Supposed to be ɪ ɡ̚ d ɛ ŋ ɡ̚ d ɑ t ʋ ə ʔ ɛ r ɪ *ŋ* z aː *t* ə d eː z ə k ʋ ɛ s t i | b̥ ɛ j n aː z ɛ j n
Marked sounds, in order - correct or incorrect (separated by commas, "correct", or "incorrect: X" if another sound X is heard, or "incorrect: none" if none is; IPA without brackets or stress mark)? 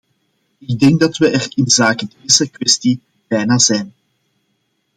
incorrect: n, incorrect: k